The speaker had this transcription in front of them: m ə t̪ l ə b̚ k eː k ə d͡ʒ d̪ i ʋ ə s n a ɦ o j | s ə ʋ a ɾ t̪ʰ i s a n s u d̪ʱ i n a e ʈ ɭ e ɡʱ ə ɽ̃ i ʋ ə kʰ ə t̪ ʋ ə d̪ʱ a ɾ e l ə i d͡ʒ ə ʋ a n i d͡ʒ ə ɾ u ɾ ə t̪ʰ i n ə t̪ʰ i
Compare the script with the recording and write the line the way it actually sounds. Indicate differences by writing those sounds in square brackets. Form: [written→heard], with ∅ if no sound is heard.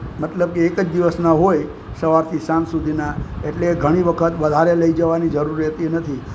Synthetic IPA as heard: m ə t̪ l ə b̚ k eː k ə d͡ʒ d̪ i ʋ ə s n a ɦ o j | s ə ʋ a ɾ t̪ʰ i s a n s u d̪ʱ i n a e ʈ [ɭ→l] e ɡʱ ə ɽ̃ i ʋ ə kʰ ə t̪ ʋ ə d̪ʱ a ɾ e l ə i d͡ʒ ə ʋ a n i d͡ʒ ə ɾ u ɾ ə [t̪ʰ→t̪] i n ə t̪ʰ i